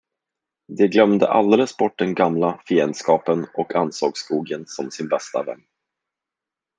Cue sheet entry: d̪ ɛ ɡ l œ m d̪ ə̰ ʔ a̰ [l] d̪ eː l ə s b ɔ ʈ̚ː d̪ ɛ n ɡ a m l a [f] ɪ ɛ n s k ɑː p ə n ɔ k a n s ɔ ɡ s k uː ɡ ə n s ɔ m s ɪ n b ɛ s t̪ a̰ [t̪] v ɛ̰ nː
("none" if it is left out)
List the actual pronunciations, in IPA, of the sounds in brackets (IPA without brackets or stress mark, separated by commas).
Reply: l, f, none